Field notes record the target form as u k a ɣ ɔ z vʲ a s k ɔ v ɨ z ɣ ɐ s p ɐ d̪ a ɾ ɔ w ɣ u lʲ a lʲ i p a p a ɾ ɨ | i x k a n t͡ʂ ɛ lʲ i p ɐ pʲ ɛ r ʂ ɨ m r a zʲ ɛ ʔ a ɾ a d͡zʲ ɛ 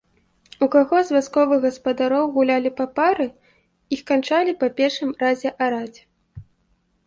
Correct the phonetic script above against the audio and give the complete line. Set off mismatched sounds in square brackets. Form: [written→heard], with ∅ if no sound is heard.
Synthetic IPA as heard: u k a ɣ ɔ z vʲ a s k ɔ v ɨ [z→ɣ] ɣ ɐ s p ɐ d̪ a ɾ ɔ w ɣ u lʲ a lʲ i p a p a ɾ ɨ | i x k a n t͡ʂ [ɛ→a] lʲ i p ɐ pʲ ɛ r ʂ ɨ m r a zʲ ɛ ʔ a ɾ a d͡zʲ ɛ